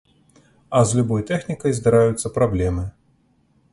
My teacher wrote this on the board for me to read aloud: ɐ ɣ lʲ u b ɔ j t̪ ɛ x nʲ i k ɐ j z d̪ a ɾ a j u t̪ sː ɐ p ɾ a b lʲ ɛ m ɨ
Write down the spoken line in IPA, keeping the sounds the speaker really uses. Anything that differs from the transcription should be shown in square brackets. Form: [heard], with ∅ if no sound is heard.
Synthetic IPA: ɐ [z] lʲ u b ɔ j t̪ ɛ x nʲ i k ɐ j z d̪ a ɾ a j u t̪ sː ɐ p ɾ a b lʲ ɛ m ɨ